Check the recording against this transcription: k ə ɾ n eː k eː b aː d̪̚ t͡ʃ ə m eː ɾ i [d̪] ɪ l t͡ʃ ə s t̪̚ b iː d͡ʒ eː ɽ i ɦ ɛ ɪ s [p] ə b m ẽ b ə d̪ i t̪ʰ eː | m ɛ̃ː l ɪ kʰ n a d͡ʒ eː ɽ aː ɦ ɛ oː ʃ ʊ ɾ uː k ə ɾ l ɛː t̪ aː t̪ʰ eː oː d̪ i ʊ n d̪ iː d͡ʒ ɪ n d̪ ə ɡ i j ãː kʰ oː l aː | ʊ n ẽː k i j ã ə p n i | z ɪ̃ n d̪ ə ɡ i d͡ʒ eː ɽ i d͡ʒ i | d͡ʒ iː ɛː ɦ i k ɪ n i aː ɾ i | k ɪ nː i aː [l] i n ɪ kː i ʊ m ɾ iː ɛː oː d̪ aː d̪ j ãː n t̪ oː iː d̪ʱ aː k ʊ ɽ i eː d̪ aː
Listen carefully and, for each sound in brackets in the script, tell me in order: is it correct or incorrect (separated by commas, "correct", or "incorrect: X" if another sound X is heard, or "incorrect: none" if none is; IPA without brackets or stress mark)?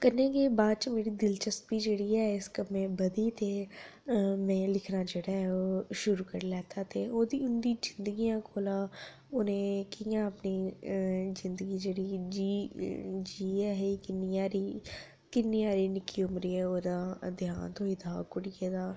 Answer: correct, incorrect: k, incorrect: ɾ